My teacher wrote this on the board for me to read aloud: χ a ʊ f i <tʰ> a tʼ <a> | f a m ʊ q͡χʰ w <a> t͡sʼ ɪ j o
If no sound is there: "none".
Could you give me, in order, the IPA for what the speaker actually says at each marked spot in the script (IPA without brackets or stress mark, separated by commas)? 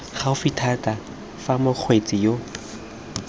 tʰ, a, e